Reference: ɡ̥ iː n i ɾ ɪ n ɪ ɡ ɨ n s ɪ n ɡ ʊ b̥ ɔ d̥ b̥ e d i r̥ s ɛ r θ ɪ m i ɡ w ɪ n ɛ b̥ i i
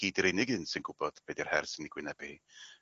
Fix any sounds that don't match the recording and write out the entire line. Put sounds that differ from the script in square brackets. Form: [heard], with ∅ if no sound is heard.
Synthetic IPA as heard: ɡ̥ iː [d] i ɾ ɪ n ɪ ɡ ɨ n s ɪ n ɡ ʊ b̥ ɔ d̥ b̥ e d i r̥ [h] ɛ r [s] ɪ [n] i ɡ w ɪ n ɛ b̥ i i